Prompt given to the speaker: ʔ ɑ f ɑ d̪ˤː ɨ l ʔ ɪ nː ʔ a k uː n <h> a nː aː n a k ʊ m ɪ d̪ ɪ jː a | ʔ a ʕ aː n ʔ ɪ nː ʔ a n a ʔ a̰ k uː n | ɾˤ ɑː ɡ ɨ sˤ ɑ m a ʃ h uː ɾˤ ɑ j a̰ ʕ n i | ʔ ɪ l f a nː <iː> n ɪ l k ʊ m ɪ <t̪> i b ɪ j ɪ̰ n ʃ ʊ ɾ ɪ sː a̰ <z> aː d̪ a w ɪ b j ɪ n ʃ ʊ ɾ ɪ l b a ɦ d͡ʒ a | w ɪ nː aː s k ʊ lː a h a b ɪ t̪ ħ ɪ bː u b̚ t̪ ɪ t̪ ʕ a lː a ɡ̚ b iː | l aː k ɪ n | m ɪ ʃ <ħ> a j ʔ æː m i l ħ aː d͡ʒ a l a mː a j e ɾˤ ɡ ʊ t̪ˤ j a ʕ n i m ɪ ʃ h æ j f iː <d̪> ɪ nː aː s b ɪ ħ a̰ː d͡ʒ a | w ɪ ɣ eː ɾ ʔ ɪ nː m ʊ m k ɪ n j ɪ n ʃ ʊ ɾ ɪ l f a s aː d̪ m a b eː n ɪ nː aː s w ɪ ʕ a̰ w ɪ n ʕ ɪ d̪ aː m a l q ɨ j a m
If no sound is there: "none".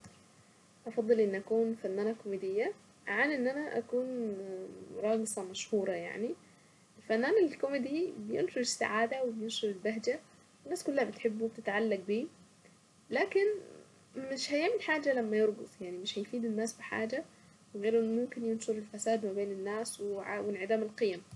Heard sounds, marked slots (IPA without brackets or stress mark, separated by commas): f, aː, d̪, ʕ, h, d̪